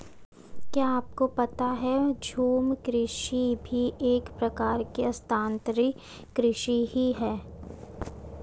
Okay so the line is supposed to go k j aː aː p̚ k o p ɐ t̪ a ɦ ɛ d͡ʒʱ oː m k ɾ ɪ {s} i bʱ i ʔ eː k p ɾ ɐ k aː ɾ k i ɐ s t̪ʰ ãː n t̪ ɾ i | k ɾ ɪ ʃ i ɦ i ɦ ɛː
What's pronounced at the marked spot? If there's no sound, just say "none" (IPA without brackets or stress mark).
ʃ